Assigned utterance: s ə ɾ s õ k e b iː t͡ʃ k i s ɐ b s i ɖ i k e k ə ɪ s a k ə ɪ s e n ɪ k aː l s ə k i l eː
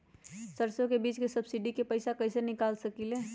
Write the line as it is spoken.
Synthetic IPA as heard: s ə ɾ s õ k e b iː t͡ʃ k e s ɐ b s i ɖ i k e p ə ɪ s a k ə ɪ s e n ɪ k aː l s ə k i l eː

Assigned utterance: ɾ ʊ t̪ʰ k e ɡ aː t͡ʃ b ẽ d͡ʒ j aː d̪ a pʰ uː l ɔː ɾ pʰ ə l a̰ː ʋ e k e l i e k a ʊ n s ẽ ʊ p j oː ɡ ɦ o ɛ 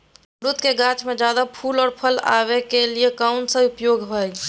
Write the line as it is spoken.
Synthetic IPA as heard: ɾ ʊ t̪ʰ k e ɡ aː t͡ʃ m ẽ d͡ʒ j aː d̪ a pʰ uː l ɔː ɾ pʰ ə l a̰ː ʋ e k e l i e k a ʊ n s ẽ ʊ p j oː ɡ ɦ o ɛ

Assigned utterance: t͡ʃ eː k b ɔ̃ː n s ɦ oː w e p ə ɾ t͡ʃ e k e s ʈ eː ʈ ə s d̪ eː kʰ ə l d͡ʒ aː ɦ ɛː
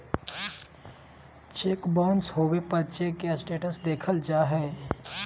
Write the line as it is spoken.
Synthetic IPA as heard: t͡ʃ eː k b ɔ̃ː n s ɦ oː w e p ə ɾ t͡ʃ e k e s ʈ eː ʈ ə s d̪ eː kʰ ə l d͡ʒ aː ɦ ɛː

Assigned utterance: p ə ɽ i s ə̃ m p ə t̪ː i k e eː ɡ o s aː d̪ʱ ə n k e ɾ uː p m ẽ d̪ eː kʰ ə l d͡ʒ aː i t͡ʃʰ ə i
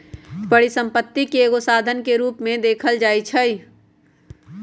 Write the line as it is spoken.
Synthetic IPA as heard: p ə ɽ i s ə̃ m p ə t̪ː i k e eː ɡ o s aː d̪ʱ ə n k e ɾ uː p m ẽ d̪ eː kʰ ə l d͡ʒ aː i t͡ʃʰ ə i

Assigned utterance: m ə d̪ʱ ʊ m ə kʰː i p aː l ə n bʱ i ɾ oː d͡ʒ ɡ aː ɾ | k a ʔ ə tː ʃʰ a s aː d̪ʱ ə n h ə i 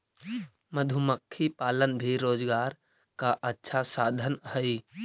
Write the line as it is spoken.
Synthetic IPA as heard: m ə d̪ʱ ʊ m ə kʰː i p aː l ə n bʱ i ɾ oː d͡ʒ ɡ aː ɾ | k a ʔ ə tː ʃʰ a s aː d̪ʱ ə n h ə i

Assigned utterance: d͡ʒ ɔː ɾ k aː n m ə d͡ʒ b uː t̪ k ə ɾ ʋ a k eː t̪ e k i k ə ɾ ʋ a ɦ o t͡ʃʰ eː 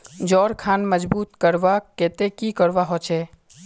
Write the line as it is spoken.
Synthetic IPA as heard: d͡ʒ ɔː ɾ kʰ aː n m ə d͡ʒ b uː t̪ k ə ɾ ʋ a k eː t̪ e k i k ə ɾ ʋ a ɦ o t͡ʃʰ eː

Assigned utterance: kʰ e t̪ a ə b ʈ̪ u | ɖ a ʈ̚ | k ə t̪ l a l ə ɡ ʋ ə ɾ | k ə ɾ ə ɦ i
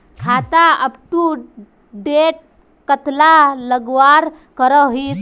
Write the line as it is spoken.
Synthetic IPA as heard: kʰ a t̪ a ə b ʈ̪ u | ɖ e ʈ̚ | k ə t̪ l a l ə ɡ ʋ a ɾ | k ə ɾ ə ɦ i

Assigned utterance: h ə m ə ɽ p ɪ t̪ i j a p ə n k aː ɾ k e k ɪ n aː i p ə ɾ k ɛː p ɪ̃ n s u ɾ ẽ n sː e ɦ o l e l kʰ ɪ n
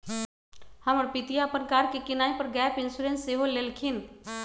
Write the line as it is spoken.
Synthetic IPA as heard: h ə m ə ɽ p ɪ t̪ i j a p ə n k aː ɾ k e k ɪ n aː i p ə ɾ ɡ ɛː p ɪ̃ n s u ɾ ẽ n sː e ɦ o l e l kʰ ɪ n

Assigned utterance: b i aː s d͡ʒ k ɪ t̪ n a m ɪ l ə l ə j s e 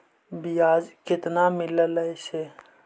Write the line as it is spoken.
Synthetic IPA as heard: b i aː d͡ʒ k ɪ t̪ n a m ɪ l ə l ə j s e

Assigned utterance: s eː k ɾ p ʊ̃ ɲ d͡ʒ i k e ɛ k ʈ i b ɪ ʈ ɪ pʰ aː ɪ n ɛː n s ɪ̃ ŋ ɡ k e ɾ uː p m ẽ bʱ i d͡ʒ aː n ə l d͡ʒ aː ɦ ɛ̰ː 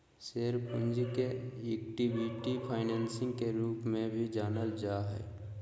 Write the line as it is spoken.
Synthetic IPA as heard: s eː ɾ p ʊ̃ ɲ d͡ʒ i k e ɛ k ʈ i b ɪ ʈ i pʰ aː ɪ n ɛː n s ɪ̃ ŋ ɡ k e ɾ uː p m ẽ bʱ i d͡ʒ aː n ə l d͡ʒ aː ɦ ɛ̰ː

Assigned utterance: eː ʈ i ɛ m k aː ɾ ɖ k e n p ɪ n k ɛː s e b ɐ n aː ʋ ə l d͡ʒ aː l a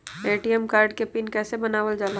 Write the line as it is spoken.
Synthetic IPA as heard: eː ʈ i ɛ m k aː ɾ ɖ k e p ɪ n k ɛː s e b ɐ n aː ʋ ə l d͡ʒ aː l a

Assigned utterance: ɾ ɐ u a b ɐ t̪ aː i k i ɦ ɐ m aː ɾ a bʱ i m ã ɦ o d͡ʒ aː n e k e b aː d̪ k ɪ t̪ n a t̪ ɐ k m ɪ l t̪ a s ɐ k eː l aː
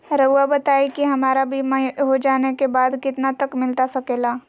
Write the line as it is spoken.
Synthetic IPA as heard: ɾ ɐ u a b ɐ t̪ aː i k i ɦ ɐ m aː ɾ a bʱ i m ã ɦ o d͡ʒ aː n e k e b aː d̪ k ɪ t̪ n a t̪ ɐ k m ɪ l t̪ a s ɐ k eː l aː

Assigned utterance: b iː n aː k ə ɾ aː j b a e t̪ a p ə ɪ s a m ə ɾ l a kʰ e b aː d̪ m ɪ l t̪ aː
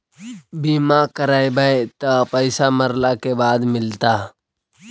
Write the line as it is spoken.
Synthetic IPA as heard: b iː m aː k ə ɾ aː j b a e t̪ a p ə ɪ s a m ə ɾ l a k e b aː d̪ m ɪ l t̪ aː

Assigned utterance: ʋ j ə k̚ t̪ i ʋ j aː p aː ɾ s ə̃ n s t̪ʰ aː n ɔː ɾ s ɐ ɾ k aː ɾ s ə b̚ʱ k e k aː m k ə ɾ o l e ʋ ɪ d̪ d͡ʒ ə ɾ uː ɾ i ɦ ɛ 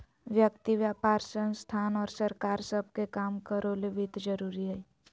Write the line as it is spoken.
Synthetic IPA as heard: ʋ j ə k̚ t̪ i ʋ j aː p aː ɾ s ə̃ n s t̪ʰ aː n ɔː ɾ s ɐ ɾ k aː ɾ s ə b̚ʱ k e k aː m k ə ɾ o l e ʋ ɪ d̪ d͡ʒ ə ɾ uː ɾ i ɦ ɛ

